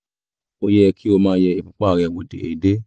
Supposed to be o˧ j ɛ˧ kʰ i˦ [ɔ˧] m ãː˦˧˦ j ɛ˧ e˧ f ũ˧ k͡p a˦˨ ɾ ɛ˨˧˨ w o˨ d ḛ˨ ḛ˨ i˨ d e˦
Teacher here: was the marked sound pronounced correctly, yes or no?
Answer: no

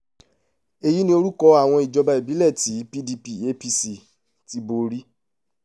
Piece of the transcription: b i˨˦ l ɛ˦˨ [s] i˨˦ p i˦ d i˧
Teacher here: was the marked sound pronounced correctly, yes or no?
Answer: no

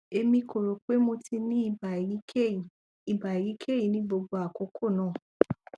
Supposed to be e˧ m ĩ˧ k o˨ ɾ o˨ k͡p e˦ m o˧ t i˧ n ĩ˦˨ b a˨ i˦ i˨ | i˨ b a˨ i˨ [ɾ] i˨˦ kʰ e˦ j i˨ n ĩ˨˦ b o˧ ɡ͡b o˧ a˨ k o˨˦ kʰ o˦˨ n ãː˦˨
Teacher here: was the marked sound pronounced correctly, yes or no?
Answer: yes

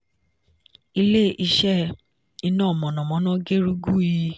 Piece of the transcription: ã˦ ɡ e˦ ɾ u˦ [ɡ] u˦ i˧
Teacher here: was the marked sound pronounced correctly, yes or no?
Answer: yes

